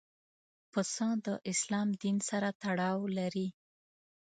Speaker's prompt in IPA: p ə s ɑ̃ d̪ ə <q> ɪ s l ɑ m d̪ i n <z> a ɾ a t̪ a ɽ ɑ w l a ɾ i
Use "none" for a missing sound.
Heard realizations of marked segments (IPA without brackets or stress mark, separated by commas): ʔ, s